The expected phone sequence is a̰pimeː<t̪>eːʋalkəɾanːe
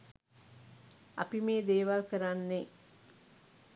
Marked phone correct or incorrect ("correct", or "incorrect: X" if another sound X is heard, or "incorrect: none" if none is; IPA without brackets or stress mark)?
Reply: incorrect: d̪